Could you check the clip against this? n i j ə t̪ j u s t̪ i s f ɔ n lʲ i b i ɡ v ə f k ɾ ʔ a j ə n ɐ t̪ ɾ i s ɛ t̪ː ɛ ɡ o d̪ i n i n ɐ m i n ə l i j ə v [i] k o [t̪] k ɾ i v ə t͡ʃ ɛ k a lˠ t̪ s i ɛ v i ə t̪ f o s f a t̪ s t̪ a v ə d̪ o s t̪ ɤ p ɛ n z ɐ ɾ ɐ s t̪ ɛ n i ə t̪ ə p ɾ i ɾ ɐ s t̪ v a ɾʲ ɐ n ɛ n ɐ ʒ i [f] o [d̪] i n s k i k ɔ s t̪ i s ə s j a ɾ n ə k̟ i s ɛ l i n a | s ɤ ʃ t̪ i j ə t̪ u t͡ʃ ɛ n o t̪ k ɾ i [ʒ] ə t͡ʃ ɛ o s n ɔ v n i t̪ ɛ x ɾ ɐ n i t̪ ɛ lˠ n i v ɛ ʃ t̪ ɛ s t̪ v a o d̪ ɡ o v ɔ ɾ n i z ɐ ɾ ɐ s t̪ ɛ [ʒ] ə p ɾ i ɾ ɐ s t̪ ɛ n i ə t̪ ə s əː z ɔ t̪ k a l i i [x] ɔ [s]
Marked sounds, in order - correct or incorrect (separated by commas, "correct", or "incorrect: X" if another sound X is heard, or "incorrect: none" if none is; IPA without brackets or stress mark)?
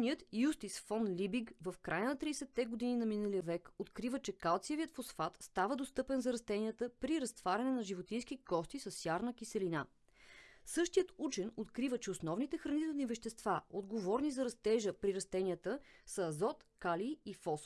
incorrect: ɛ, correct, incorrect: v, incorrect: t̪, incorrect: v, correct, incorrect: f, correct